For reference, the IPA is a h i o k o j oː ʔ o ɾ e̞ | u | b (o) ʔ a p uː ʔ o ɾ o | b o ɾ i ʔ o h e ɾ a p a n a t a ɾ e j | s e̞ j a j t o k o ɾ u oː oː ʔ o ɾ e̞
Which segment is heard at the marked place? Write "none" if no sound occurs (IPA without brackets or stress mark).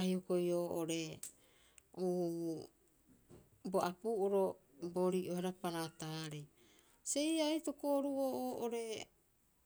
o